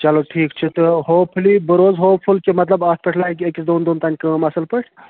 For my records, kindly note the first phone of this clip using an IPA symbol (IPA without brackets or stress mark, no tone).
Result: t͡ʃ